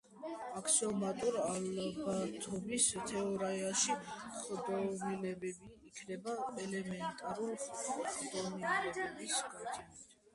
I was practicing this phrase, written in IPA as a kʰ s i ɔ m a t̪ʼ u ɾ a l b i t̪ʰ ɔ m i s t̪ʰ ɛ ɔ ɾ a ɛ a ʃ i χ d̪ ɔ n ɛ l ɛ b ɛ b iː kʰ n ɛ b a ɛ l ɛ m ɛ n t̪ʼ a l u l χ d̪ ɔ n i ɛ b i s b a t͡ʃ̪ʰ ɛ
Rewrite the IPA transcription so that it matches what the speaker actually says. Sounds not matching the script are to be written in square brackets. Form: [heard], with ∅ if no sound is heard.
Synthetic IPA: a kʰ s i ɔ m a t̪ʼ u ɾ a l b [a] t̪ʰ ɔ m i s t̪ʰ ɛ ɔ ɾ a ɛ a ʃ i χ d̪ ɔ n ɛ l ɛ b ɛ b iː kʰ n ɛ b a ɛ l ɛ m ɛ n t̪ʼ a [ɾ] u l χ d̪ ɔ n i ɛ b i s [ɡ] a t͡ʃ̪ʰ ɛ